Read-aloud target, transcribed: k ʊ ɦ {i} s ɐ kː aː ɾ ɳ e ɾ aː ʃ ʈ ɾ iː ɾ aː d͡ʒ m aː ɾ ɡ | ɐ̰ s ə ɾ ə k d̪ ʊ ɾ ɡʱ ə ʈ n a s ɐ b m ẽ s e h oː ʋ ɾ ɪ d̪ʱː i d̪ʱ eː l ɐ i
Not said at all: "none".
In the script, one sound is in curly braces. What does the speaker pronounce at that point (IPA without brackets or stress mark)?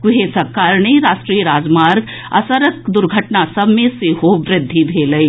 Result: e